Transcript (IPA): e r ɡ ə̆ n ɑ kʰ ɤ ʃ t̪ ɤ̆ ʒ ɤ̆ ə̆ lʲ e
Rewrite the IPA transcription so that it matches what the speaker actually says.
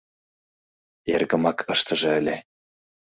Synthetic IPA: e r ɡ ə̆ m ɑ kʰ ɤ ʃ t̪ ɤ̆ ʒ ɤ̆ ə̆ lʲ e